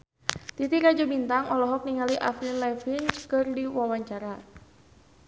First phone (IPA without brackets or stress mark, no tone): t̪